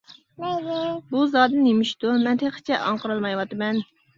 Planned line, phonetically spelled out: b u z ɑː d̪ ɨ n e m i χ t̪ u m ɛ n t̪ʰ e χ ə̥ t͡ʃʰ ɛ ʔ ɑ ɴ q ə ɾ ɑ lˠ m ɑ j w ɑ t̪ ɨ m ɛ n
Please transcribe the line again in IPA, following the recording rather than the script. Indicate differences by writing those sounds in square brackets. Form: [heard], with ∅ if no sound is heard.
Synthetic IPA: b u z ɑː d̪ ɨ n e m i [ʃ] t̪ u m ɛ n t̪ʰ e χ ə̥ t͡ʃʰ ɛ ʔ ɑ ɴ q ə ɾ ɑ lˠ m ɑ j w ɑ t̪ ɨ m ɛ n

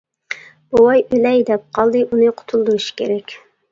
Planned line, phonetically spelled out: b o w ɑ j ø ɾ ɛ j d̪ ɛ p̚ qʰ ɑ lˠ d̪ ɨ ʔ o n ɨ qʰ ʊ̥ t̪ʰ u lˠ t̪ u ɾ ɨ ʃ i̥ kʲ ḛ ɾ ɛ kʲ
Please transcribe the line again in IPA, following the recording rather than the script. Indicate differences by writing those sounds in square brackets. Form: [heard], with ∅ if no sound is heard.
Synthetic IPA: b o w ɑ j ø [l] ɛ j d̪ ɛ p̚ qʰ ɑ lˠ d̪ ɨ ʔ [u] n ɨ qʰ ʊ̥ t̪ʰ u lˠ [d̪] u ɾ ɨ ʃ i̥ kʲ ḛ ɾ ɛ kʲ

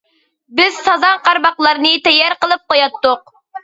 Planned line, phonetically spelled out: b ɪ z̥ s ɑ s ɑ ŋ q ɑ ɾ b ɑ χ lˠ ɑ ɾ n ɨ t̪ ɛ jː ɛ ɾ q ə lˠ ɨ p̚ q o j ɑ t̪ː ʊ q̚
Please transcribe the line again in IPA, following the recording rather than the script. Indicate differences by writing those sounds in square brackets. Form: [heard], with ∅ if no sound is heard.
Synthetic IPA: b ɪ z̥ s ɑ [z] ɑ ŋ q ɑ ɾ b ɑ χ lˠ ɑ ɾ n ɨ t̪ ɛ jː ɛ ɾ q ə lˠ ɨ p̚ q o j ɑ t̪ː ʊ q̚

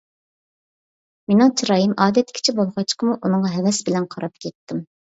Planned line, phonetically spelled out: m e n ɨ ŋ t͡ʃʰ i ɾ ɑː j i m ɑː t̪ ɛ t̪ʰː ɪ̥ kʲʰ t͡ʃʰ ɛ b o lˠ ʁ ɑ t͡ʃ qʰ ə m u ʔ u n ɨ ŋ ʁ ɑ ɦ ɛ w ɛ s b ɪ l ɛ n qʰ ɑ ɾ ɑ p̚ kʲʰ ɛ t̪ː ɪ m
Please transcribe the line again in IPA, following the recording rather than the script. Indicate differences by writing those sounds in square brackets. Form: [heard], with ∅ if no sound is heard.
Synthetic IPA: m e n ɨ ŋ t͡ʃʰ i ɾ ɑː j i m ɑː [d̪] ɛ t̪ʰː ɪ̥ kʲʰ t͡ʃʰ ɛ b o lˠ ʁ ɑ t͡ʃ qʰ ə m u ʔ u n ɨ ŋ ʁ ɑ ɦ ɛ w ɛ s b ɪ l ɛ n qʰ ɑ ɾ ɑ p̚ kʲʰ ɛ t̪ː ɪ m

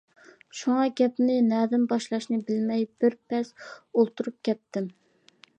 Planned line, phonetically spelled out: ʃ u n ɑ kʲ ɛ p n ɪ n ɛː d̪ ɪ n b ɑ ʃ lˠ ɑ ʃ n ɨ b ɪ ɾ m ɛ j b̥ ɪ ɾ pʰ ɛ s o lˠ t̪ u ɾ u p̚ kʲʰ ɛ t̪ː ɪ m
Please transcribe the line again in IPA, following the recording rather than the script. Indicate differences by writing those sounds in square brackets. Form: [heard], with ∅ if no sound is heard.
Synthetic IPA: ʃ u [ŋ] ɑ [ɡʲ] ɛ p n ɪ n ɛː d̪ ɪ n b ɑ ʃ lˠ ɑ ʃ n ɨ b ɪ [l] m ɛ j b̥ ɪ ɾ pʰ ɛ s o lˠ t̪ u ɾ u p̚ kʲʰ ɛ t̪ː ɪ m

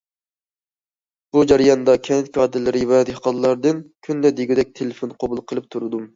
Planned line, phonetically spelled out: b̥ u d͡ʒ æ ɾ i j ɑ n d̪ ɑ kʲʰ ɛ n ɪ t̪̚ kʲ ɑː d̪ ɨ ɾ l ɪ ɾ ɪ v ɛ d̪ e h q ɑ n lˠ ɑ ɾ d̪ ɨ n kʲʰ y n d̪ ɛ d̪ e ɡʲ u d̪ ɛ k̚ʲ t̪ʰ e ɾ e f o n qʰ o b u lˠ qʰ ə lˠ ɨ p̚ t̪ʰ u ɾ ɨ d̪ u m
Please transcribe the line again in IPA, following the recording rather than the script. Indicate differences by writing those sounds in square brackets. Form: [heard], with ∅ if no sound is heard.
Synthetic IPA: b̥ u d͡ʒ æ ɾ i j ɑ n d̪ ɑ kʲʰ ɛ n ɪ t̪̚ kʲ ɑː d̪ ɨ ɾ l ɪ ɾ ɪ v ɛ d̪ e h q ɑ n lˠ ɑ ɾ d̪ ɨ n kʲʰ y n d̪ ɛ d̪ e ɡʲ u d̪ ɛ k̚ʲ t̪ʰ e [l] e f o n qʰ o b u lˠ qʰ ə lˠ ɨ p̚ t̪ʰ u ɾ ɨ d̪ u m

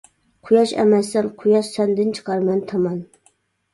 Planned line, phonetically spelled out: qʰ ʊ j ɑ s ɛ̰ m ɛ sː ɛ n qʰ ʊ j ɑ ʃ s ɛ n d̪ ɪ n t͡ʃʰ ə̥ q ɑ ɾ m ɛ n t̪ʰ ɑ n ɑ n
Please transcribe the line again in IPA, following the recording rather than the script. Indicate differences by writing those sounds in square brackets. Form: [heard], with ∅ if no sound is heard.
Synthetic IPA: qʰ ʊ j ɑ [ʃ] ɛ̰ m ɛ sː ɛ n qʰ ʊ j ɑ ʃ s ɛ n d̪ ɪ n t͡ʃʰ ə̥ q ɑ ɾ m ɛ n t̪ʰ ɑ [m] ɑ n

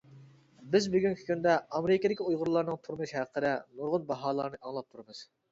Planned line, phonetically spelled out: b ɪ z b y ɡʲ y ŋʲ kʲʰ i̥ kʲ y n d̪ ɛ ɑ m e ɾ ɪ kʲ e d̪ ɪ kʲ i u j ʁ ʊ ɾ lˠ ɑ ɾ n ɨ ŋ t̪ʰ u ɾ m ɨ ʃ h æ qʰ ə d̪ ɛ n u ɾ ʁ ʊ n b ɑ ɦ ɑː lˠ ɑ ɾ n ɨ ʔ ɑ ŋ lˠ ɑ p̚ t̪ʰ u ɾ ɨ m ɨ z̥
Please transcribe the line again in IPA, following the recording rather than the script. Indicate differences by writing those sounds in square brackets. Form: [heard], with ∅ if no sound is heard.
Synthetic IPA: b ɪ z b y ɡʲ y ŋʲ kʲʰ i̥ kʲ y n d̪ ɛ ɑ m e ɾ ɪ kʲ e d̪ ɪ kʲ i u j ʁ ʊ ɾ lˠ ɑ ɾ n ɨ ŋ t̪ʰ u ɾ m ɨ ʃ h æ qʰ ə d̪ ɛ n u ɾ ʁ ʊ n b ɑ ɦ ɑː lˠ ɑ ɾ n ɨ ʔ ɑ ŋ lˠ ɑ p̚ t̪ʰ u ɾ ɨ m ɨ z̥

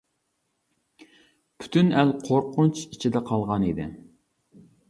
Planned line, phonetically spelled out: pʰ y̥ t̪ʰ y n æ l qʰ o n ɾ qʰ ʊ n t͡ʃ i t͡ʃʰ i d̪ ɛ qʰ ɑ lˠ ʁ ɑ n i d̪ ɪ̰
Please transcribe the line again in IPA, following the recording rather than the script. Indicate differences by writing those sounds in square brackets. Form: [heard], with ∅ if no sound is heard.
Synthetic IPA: pʰ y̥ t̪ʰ y n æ l qʰ o [∅] ɾ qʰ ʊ n t͡ʃ i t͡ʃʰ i d̪ ɛ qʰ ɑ lˠ ʁ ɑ n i d̪ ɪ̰

